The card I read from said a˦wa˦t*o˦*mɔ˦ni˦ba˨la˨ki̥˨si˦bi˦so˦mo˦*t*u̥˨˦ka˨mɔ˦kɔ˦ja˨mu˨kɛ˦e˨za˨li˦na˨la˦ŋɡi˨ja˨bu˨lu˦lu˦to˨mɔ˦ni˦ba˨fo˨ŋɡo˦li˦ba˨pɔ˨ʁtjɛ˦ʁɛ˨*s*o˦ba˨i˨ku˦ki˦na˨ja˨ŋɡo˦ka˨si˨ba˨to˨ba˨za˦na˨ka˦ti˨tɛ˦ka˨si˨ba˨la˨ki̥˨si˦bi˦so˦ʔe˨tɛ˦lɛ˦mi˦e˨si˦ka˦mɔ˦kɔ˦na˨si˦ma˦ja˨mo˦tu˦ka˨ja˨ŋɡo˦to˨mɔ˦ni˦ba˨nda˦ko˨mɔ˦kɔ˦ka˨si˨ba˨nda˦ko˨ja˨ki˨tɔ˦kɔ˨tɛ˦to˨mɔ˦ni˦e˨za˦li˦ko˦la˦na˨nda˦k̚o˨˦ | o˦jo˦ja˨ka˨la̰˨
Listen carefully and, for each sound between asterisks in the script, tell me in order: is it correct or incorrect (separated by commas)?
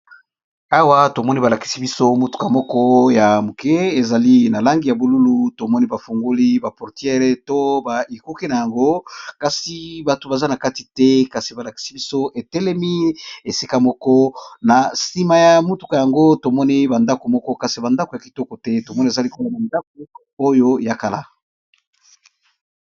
incorrect, correct, incorrect